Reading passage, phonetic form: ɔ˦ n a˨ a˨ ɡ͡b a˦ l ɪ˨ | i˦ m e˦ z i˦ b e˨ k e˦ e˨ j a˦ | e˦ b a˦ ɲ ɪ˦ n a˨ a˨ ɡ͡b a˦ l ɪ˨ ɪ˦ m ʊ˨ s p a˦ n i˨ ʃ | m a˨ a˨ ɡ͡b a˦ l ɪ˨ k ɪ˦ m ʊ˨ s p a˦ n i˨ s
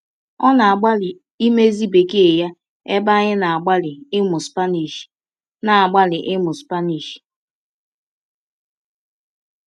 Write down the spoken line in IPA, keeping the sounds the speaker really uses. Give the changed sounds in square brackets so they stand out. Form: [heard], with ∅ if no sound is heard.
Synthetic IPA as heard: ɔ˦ n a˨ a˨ ɡ͡b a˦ l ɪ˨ | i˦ m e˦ z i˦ b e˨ k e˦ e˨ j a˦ | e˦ b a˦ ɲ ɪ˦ n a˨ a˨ ɡ͡b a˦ l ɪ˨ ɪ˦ m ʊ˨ s p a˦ n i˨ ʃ | [n] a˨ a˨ ɡ͡b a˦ l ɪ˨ [ʔ] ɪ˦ m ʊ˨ s p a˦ n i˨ [ʃ]